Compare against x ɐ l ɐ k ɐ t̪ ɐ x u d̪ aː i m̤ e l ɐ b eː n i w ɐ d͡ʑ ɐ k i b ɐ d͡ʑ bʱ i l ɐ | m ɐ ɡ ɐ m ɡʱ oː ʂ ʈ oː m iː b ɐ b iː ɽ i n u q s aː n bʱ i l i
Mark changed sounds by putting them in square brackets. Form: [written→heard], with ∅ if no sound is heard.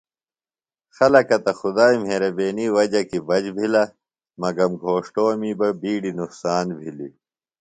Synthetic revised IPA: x ɐ l ɐ k ɐ t̪ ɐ x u d̪ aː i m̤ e [l→ɾ] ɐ b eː n i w ɐ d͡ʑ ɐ k i b ɐ d͡ʑ bʱ i l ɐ | m ɐ ɡ ɐ m ɡʱ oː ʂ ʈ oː m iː b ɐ b iː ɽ i n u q s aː n bʱ i l i